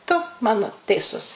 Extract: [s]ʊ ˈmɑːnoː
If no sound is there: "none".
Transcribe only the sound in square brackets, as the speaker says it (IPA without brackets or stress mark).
t